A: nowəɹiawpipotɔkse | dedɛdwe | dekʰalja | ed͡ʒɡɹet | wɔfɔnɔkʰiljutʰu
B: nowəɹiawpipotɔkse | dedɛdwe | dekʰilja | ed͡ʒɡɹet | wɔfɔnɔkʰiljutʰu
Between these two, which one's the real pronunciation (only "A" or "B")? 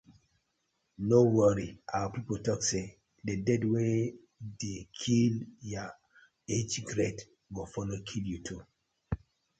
B